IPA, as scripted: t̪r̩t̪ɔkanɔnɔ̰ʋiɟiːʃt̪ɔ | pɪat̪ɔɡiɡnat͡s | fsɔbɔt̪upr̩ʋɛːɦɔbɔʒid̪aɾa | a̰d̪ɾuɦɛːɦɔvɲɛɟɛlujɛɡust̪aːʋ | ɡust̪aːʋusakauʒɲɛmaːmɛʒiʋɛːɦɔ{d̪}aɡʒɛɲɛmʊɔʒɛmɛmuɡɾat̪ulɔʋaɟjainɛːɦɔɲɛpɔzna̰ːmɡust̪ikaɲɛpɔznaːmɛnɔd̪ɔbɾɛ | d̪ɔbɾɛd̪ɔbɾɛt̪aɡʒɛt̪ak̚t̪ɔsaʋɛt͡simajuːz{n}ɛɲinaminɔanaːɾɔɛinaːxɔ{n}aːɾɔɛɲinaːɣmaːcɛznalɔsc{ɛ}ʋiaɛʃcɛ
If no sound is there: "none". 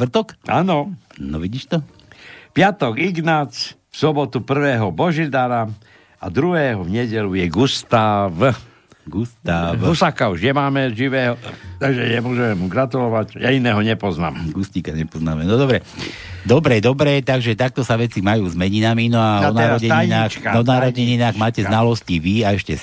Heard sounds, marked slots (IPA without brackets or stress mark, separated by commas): t̪, m, n, i